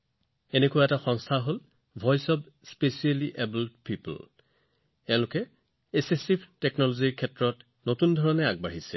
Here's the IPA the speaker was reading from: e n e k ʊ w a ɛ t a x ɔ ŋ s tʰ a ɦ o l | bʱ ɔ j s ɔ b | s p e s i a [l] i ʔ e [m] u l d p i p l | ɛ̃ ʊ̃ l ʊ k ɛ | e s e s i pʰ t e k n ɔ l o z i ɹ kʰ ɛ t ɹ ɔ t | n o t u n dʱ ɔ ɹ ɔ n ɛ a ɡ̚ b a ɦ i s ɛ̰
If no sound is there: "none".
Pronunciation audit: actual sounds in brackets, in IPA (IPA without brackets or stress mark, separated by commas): l, b